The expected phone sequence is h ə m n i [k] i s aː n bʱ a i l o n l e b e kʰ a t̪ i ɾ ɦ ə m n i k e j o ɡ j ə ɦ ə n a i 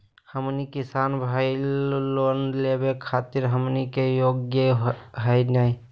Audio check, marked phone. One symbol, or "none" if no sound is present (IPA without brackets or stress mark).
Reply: k